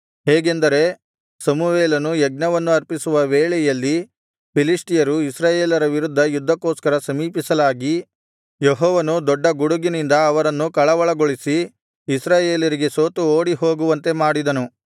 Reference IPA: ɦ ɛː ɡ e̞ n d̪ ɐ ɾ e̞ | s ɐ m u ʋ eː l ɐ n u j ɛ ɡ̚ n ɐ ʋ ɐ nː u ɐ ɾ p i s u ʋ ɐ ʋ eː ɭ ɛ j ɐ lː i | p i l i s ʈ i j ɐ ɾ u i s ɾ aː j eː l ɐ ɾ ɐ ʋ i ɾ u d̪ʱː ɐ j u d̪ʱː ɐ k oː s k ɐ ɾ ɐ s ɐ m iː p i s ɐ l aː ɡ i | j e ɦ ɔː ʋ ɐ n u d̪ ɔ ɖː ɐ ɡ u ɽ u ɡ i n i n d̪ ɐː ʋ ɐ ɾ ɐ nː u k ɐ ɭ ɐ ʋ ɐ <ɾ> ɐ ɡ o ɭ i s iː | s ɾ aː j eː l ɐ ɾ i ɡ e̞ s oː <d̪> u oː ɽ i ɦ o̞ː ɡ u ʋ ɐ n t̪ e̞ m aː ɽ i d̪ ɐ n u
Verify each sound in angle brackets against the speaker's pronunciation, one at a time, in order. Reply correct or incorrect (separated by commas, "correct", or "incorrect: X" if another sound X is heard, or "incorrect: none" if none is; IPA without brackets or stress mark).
incorrect: ɭ, incorrect: t̪